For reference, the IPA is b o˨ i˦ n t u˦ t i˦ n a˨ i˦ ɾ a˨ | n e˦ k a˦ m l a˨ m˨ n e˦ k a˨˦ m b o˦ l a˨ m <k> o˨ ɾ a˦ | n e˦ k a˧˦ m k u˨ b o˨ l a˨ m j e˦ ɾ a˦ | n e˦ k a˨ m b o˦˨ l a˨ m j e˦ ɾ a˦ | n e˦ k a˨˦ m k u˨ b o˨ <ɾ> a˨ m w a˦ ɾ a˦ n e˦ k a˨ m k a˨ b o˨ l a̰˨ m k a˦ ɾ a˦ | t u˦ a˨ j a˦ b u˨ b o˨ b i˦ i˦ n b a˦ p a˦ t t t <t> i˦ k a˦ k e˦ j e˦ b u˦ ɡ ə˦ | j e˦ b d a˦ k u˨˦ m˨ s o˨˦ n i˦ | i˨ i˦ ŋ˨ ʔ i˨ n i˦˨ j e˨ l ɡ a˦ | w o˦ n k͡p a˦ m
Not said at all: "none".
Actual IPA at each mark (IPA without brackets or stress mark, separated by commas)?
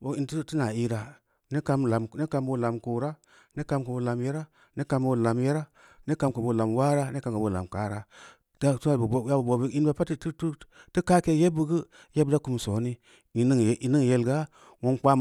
k, l, t